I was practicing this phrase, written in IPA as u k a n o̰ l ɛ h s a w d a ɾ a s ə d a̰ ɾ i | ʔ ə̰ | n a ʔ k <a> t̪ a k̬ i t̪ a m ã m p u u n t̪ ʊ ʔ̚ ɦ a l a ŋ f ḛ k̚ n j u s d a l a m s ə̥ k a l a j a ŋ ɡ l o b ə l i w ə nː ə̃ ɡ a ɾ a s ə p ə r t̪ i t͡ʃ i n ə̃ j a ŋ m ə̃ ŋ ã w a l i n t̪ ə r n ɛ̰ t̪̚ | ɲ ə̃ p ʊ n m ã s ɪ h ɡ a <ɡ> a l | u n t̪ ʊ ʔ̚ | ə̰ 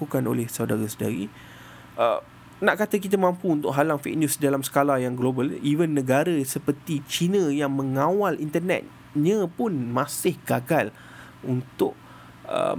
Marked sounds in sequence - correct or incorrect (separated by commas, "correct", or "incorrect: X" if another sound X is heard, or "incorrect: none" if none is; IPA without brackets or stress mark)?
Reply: correct, correct